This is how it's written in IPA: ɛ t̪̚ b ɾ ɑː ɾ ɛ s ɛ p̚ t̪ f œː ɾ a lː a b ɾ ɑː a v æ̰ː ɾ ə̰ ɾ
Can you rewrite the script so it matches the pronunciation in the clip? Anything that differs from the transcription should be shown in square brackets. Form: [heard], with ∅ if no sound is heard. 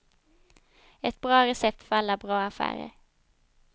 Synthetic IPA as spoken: ɛ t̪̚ b ɾ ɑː ɾ ɛ s ɛ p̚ t̪ f [œ] ɾ a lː a b ɾ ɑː a [f] æ̰ː ɾ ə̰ ɾ

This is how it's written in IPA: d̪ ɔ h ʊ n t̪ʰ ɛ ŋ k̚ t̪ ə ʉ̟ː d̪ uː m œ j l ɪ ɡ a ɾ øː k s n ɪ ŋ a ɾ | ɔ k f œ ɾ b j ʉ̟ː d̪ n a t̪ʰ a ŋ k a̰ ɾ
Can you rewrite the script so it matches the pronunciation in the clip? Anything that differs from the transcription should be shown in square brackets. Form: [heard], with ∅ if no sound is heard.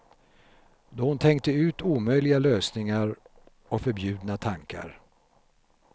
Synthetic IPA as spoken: d̪ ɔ h ʊ n t̪ʰ ɛ ŋ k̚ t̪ ə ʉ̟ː [t̪] uː m œ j l ɪ ɡ a [l] øː [∅] s n ɪ ŋ a ɾ | ɔ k f œ ɾ b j ʉ̟ː d̪ n a t̪ʰ a ŋ k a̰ ɾ

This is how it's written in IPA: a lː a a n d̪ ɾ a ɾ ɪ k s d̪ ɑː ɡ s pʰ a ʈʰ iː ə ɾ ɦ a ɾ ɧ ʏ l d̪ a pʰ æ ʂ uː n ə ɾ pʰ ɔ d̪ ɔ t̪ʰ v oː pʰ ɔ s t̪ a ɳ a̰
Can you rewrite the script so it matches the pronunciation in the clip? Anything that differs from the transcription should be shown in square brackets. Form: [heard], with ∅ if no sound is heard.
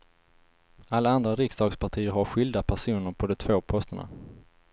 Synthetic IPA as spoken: a lː a a n d̪ ɾ a ɾ ɪ k s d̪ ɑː ɡ s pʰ a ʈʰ iː ə ɾ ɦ a ɾ ɧ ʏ l d̪ a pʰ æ ʂ uː n ə ɾ pʰ ɔ d̪ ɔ t̪ʰ v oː pʰ ɔ s t̪ [ə] ɳ a̰

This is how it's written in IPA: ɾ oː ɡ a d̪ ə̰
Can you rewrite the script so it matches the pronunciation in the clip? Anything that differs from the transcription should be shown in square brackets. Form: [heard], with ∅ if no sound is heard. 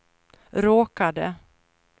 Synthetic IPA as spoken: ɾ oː [k] a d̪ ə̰

